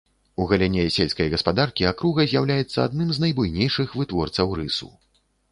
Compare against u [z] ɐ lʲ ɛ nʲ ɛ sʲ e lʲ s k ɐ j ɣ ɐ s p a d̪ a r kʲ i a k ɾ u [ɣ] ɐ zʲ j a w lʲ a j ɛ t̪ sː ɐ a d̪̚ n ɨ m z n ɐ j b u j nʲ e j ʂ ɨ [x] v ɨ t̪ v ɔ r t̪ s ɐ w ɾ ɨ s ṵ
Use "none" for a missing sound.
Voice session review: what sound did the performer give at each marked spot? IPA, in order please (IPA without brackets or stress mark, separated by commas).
ɣ, ɣ, x